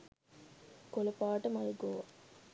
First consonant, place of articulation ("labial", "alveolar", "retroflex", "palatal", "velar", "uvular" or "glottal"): velar